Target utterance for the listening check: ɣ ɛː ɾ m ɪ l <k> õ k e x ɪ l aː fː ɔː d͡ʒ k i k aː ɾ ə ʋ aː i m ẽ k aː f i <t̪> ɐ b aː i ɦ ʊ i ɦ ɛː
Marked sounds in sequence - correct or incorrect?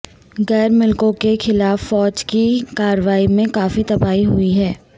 correct, correct

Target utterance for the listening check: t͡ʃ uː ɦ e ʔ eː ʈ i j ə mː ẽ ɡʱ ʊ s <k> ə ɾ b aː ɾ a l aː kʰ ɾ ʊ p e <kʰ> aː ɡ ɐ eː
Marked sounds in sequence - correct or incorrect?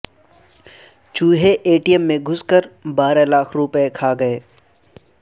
correct, correct

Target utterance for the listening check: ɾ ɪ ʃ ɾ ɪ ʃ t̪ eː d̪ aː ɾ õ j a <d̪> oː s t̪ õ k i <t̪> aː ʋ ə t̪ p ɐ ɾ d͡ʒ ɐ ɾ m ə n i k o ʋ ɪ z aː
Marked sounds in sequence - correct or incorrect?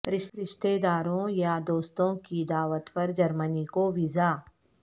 correct, incorrect: d̪

